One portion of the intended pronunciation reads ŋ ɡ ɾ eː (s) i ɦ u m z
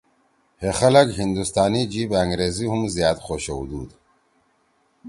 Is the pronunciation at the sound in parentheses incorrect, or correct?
incorrect